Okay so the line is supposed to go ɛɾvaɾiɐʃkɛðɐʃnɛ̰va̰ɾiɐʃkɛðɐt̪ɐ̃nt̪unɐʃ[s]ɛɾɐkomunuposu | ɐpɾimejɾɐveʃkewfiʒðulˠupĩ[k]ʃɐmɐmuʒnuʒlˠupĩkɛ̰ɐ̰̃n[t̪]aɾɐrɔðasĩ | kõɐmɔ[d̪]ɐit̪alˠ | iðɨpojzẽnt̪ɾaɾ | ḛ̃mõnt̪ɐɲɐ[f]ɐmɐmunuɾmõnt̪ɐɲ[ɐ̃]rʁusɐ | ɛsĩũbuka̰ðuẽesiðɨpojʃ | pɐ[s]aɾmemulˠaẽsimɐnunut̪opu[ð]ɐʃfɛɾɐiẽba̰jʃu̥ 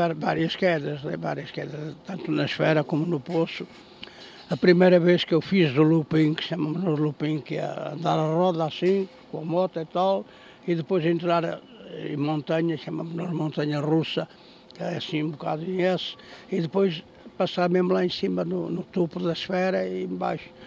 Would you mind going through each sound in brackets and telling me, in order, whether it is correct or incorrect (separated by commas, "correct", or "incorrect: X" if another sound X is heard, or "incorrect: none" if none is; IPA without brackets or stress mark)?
incorrect: f, correct, incorrect: d̪, incorrect: t̪, incorrect: ʃ, incorrect: ɐ, correct, correct